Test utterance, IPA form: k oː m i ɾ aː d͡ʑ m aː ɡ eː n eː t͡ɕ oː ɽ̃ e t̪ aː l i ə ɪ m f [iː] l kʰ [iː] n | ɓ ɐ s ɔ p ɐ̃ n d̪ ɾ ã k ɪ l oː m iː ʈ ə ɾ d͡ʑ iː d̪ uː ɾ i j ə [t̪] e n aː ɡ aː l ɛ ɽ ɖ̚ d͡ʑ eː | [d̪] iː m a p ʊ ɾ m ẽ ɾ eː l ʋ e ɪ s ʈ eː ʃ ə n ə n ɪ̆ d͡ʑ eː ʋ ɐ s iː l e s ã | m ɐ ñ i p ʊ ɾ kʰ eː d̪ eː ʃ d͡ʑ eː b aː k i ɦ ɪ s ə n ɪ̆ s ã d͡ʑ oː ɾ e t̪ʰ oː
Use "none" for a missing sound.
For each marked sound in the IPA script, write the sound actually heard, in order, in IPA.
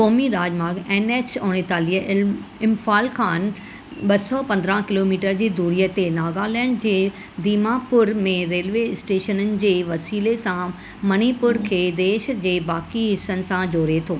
aː, aː, t̪, d̪

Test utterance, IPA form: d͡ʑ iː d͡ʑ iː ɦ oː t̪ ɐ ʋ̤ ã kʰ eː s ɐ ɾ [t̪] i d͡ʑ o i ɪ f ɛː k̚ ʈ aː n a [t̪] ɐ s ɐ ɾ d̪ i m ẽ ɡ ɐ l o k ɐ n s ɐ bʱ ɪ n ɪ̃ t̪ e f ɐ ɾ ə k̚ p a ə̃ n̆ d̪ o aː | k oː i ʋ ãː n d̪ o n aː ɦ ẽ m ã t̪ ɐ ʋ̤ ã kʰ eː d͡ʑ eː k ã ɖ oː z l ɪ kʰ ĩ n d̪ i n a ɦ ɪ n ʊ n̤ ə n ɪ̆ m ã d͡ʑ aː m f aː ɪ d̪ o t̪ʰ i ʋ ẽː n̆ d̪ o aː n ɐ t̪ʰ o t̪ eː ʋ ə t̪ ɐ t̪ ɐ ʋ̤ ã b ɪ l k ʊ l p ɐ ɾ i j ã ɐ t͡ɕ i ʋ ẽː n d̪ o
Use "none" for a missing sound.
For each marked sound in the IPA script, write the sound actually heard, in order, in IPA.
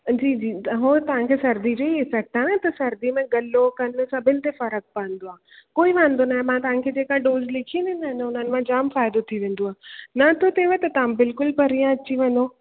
d̪, t̪

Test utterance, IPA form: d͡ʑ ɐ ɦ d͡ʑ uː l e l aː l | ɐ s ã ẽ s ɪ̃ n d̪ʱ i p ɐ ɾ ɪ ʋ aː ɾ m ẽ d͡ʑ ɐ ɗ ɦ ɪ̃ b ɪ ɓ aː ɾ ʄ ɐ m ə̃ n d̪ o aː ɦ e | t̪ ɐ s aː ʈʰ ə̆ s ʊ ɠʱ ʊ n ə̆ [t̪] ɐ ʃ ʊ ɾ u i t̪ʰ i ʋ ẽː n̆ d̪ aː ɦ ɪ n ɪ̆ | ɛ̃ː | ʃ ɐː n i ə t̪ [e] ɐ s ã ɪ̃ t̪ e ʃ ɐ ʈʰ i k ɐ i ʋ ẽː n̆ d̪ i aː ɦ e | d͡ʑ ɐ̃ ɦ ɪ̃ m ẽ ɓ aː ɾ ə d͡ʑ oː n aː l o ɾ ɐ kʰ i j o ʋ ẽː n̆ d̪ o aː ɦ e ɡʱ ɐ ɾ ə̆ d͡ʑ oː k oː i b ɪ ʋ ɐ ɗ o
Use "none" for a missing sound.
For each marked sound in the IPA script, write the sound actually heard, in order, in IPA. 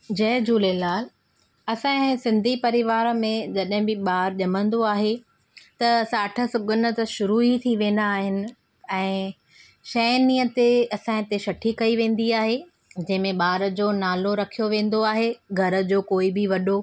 t̪, e

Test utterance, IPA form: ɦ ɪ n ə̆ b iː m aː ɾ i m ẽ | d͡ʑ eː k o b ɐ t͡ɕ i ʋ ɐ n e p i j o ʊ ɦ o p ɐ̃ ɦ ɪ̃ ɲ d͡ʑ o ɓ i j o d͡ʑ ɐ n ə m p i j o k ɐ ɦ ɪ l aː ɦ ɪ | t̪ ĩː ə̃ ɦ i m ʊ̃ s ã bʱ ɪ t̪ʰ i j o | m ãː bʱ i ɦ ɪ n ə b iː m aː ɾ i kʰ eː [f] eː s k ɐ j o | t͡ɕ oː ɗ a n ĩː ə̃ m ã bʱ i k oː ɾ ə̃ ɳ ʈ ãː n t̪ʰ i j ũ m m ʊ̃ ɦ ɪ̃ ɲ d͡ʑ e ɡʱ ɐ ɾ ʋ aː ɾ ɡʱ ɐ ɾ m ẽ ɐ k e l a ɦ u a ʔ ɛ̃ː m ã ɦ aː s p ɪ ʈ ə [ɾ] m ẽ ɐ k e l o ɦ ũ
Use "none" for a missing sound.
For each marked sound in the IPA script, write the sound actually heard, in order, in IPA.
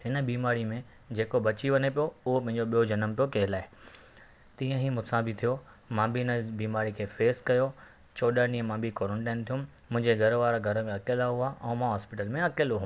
f, l

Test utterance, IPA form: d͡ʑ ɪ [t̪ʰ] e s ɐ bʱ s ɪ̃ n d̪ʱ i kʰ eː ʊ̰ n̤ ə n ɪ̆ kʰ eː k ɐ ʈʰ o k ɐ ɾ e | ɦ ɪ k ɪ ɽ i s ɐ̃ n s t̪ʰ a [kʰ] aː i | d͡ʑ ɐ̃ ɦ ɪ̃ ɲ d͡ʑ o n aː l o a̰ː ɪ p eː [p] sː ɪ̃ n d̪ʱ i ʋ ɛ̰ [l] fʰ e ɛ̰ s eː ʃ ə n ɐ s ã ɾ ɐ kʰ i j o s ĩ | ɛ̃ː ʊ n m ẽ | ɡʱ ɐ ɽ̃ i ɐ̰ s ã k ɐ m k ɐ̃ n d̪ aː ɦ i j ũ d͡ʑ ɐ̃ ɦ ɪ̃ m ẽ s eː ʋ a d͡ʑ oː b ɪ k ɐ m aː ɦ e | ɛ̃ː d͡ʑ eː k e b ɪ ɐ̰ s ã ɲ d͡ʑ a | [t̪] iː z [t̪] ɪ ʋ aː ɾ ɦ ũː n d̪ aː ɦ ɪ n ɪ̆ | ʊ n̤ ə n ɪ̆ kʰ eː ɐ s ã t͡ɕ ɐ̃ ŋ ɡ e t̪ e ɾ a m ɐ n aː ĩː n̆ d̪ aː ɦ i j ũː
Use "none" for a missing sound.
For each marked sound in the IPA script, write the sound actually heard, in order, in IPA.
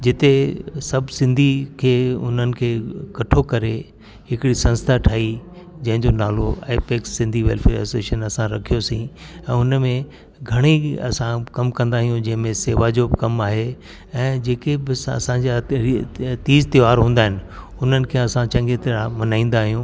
t̪, ʈʰ, k, l, t̪, t̪

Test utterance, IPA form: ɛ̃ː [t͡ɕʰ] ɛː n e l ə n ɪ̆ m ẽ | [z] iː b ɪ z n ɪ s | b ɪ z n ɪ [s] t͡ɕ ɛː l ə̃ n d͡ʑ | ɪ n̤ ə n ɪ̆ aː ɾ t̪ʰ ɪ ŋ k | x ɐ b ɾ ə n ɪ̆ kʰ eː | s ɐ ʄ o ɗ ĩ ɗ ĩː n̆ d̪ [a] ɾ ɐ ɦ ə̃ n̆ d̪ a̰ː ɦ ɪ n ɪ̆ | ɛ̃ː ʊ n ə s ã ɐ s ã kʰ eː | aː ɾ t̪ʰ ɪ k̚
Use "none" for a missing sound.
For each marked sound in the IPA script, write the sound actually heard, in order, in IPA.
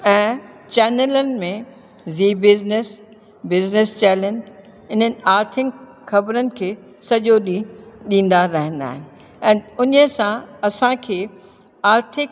t͡ɕ, z, s, a

